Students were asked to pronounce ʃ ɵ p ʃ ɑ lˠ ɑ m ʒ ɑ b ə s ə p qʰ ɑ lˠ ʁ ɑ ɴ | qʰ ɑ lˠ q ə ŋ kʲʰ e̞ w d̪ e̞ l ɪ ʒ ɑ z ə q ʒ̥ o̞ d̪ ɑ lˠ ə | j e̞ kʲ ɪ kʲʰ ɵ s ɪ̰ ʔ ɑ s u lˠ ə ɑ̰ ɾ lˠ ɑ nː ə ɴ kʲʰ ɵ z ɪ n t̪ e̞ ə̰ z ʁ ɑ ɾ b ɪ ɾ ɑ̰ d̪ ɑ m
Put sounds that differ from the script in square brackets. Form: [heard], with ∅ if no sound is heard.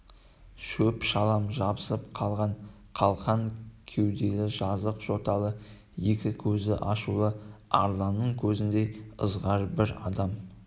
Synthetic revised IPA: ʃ ɵ p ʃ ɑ lˠ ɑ m ʒ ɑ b ə s ə p qʰ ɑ lˠ ʁ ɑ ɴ | qʰ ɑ lˠ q [ɑ] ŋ kʲʰ e̞ w d̪ e̞ l ɪ ʒ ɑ z ə q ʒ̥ o̞ [t̪] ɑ lˠ ə | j e̞ kʲ ɪ kʲʰ ɵ [z] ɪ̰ ʔ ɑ [ʃ] u lˠ ə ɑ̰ ɾ lˠ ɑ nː ə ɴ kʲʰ ɵ z ɪ n [d̪] e̞ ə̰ z ʁ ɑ ɾ b ɪ ɾ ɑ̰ d̪ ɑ m